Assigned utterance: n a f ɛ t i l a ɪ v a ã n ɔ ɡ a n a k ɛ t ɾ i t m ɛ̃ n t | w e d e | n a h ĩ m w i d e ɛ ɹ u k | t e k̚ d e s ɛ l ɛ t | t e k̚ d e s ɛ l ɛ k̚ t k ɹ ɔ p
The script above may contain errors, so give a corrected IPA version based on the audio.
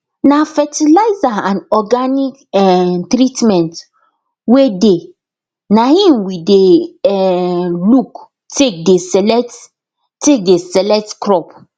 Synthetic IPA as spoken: n a f ɛ t i l a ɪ z a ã n ɔ ɡ a n i k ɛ t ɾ i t m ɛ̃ n t | w e d e | n a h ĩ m w i d e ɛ l u k | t e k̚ d e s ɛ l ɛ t | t e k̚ d e s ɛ l ɛ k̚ t k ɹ ɔ p